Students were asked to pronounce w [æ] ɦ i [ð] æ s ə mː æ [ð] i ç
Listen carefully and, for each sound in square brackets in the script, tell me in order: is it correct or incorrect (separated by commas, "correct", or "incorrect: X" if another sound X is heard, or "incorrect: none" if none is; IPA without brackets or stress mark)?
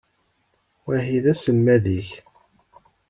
correct, correct, correct